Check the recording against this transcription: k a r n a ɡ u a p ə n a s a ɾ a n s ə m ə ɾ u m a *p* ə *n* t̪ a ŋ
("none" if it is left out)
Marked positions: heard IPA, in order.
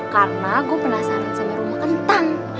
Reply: k, n

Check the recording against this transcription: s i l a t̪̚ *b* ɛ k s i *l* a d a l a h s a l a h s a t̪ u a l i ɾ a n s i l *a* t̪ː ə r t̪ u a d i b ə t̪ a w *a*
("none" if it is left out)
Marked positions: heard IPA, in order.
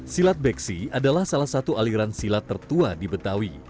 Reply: b, none, a, i

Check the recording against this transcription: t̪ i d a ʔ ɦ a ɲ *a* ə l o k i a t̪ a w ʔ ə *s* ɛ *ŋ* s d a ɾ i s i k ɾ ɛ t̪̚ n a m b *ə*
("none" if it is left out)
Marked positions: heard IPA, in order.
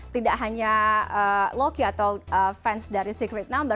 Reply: a, f, n, ə

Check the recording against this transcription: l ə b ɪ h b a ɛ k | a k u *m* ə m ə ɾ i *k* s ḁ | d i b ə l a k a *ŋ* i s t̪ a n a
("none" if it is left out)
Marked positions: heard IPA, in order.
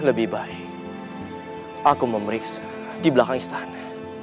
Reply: m, k, ŋ

